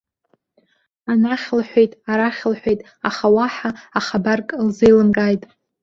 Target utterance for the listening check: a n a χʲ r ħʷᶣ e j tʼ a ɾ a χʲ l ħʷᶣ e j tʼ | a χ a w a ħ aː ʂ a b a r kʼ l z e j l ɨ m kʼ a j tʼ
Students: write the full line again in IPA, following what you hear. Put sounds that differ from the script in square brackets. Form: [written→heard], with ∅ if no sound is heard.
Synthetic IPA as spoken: a n a χʲ [r→l] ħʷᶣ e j tʼ a ɾ a χʲ l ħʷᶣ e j tʼ | a χ a w a ħ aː [ʂ→χ] a b a r kʼ l z e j l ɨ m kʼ a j tʼ